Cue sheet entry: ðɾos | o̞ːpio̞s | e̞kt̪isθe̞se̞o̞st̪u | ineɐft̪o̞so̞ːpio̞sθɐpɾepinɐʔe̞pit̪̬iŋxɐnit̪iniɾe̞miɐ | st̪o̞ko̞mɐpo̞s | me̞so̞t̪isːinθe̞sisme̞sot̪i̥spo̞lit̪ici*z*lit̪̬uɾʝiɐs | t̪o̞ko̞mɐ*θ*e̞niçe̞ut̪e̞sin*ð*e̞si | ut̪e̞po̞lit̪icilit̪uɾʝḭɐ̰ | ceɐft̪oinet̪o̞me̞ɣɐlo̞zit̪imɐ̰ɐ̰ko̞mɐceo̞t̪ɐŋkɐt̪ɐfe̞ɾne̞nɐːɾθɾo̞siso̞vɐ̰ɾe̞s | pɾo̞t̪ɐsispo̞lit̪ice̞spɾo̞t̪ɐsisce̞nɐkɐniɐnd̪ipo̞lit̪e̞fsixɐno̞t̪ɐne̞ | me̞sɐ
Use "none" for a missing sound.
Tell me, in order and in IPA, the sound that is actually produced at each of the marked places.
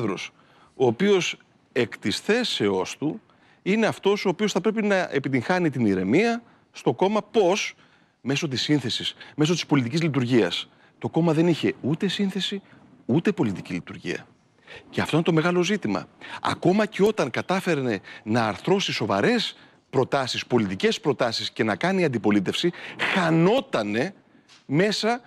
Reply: z, ð, θ

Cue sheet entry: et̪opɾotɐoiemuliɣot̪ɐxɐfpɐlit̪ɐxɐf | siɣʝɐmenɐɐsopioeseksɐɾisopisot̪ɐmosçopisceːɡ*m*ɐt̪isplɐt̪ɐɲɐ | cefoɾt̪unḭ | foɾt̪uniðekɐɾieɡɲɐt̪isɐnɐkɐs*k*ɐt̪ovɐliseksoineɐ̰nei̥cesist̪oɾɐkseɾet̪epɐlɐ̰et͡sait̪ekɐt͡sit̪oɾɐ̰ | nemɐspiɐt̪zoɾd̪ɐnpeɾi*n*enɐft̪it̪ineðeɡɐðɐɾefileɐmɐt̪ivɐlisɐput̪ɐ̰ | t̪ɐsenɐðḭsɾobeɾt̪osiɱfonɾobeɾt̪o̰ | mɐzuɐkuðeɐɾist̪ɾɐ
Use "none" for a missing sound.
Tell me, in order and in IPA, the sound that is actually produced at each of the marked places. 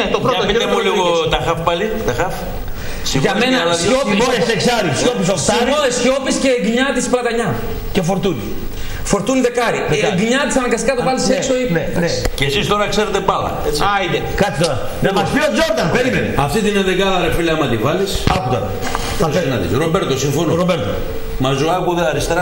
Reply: ɲ, k, m

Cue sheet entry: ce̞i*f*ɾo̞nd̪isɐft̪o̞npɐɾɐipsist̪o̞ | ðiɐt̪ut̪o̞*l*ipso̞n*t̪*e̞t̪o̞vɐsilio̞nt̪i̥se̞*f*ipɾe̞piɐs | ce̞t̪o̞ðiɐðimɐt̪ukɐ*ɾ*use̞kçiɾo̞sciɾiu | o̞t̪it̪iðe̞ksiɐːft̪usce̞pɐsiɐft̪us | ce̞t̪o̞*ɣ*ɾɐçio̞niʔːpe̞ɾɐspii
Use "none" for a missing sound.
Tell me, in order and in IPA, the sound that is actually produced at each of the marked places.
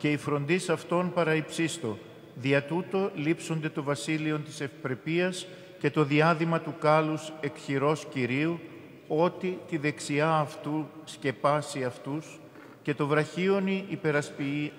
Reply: f, l, d̪, f, l, v

